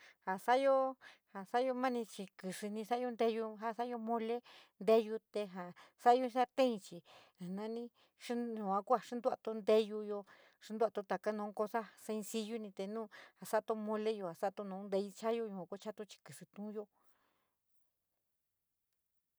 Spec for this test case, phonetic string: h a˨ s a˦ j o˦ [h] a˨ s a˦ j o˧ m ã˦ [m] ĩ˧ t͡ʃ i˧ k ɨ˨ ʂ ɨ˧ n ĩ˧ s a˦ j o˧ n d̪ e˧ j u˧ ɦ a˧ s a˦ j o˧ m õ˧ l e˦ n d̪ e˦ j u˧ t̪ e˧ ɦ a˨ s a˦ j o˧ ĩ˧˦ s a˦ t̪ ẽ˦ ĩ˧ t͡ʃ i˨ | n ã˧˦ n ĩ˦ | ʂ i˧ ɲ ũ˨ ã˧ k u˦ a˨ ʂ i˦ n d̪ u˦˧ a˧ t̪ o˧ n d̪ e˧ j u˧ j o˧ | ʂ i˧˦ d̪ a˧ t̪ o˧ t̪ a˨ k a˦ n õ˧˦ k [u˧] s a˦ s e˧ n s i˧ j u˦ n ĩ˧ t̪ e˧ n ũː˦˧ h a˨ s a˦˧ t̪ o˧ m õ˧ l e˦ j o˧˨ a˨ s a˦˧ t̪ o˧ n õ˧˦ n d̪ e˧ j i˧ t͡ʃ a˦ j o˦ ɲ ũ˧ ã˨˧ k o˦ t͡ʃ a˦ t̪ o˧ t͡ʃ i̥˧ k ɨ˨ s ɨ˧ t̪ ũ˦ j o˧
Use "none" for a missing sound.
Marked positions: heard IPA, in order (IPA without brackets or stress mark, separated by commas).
h, n, o˧